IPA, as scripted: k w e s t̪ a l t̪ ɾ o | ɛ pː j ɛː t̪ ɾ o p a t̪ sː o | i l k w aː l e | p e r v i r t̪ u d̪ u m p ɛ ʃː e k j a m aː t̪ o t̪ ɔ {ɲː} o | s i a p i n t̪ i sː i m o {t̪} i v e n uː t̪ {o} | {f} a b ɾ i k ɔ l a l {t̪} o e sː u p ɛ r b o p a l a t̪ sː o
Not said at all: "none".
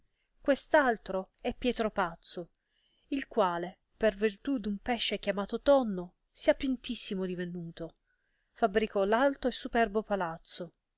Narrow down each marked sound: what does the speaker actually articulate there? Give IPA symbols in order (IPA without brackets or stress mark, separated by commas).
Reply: nː, d̪, o, f, t̪